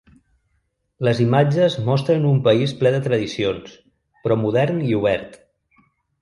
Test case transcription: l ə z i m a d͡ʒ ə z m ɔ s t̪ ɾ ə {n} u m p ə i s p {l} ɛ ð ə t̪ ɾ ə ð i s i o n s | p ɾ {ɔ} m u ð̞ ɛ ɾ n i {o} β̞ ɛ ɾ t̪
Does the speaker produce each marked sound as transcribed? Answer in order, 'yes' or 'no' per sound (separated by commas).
yes, yes, yes, no